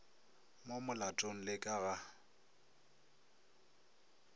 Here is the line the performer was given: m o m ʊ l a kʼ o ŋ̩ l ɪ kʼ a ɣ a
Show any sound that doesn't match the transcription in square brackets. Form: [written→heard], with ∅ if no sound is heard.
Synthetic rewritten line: m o m ʊ l a [kʼ→tʼ] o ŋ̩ l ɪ kʼ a ɣ a

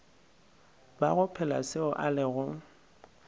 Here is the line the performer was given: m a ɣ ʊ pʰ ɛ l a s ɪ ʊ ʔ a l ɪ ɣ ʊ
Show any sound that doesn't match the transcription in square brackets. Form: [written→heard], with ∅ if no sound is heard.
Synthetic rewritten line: [m→b] a ɣ ʊ pʰ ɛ l a s ɪ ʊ ʔ a l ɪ ɣ ʊ

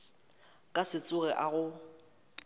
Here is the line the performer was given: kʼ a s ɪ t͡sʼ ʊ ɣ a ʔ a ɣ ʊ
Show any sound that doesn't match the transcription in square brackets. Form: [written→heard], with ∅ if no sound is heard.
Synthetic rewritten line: kʼ a s ɪ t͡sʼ ʊ ɣ [a→ɛ] ʔ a ɣ ʊ

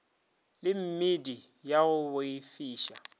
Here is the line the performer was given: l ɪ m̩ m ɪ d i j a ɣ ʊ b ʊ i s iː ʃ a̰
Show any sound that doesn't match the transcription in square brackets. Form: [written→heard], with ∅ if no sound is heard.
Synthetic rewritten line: l ɪ m̩ m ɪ d i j a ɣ ʊ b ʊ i [s→f] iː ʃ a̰

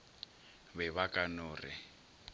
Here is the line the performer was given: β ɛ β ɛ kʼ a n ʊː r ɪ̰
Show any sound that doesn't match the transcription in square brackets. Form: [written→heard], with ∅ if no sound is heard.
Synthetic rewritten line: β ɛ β [ɛ→a] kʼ a n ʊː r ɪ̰

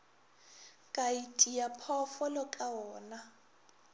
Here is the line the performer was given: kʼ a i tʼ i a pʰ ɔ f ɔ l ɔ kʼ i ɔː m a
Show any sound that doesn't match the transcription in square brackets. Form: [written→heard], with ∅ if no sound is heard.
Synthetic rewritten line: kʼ a i tʼ i a pʰ ɔ f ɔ l ɔ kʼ [i→a] ɔː [m→n] a

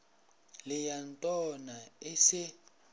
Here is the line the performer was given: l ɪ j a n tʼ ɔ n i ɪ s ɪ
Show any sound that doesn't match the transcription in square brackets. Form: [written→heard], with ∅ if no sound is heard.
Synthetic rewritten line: l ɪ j a n tʼ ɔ n [i→a] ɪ s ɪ

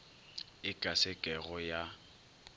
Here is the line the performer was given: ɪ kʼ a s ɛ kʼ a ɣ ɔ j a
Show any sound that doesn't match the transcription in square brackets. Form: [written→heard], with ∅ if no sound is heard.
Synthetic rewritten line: ɪ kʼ a s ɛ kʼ [a→ɛ] ɣ ɔ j a

